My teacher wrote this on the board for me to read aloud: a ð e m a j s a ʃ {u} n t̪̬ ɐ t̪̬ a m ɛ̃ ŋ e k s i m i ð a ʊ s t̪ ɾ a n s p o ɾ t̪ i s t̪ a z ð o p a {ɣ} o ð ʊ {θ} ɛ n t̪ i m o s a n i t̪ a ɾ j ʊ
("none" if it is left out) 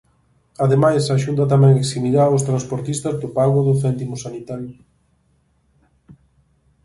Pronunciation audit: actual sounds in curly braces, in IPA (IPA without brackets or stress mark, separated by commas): u, ɣ, θ